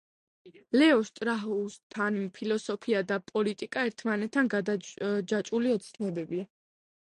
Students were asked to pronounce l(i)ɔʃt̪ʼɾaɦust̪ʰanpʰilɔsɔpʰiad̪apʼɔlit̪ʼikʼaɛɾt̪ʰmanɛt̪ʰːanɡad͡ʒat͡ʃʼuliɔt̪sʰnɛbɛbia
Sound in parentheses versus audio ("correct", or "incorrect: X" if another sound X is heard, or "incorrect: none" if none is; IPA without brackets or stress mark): incorrect: ɛ